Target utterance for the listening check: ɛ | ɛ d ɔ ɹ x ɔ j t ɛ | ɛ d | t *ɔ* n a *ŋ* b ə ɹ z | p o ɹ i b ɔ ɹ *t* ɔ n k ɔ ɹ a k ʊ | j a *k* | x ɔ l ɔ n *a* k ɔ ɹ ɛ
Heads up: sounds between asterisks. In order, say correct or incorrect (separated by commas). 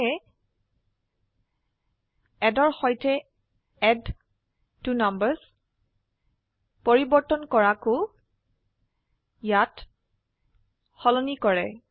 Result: incorrect, incorrect, correct, incorrect, incorrect